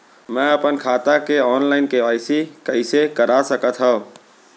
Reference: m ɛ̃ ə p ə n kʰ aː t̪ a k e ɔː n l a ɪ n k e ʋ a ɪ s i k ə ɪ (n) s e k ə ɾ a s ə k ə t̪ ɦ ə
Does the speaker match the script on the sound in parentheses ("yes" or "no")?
no